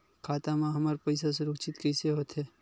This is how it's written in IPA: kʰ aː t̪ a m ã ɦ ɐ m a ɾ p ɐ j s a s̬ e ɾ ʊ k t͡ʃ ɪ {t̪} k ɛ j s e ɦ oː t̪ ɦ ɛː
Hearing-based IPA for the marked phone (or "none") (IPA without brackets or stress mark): t̪